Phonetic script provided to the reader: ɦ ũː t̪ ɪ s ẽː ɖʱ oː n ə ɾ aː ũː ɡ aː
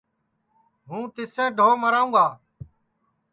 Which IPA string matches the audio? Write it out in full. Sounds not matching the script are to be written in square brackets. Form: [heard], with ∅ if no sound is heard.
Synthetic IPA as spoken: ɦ ũː t̪ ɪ s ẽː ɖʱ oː [m] ə ɾ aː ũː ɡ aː